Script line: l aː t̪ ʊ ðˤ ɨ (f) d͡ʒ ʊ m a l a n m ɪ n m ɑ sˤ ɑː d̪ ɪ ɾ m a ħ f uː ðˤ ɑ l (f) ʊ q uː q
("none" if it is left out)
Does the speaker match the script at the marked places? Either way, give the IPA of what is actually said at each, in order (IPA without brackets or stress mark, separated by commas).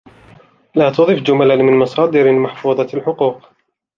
f, ħ